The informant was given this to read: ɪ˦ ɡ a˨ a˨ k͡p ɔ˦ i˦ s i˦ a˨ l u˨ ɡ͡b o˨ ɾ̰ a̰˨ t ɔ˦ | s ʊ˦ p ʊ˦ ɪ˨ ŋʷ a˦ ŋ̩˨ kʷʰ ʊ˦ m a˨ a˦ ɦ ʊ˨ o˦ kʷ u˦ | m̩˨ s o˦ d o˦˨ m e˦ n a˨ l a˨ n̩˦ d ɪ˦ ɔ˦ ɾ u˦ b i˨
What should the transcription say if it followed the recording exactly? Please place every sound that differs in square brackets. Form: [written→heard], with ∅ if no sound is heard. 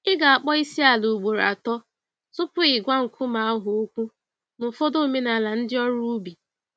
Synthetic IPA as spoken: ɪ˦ ɡ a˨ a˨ k͡p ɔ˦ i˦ s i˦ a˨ l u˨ ɡ͡b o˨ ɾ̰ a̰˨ t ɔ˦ | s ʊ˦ p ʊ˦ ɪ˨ [ŋʷ→ɡʷ] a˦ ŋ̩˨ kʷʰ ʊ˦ m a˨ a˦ ɦ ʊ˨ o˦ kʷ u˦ | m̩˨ [s→f] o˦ d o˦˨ m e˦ n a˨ l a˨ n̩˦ d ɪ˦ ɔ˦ ɾ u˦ b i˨